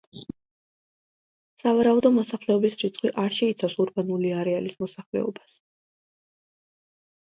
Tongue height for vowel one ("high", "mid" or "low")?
low